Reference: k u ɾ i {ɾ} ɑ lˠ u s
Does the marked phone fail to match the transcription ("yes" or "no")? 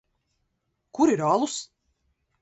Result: no